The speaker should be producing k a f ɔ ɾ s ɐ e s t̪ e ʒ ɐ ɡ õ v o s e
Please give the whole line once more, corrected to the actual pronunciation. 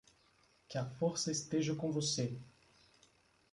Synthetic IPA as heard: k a f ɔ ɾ s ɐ e s t̪ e ʒ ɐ k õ v o s e